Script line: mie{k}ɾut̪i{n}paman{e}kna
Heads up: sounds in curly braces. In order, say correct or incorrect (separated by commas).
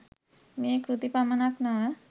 correct, incorrect, incorrect